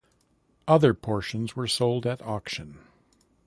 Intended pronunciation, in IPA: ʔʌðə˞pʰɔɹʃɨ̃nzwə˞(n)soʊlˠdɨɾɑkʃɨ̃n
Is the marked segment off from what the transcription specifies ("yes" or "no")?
yes